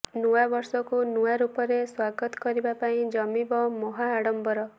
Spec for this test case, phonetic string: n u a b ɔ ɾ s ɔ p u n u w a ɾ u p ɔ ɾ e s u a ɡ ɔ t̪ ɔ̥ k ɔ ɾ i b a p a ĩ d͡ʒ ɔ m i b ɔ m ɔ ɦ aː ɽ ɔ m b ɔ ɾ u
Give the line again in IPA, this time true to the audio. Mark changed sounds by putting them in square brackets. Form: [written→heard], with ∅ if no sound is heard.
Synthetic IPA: n u a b ɔ ɾ s ɔ [p→k] u n u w a ɾ u p ɔ ɾ e s [u→w] a ɡ ɔ t̪ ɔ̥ k ɔ ɾ i b a p a ĩ d͡ʒ ɔ m i b ɔ m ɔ ɦ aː ɽ ɔ m b ɔ ɾ [u→ɔ]